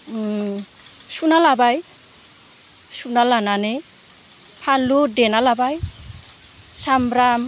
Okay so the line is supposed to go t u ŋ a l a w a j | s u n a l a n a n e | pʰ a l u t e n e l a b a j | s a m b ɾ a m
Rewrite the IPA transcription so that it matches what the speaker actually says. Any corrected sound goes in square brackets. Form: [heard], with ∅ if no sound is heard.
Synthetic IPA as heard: [s] u [n] a l a [b] a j | s u n a l a n a n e | pʰ a l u [d] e n [a] l a b a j | s a m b ɾ a m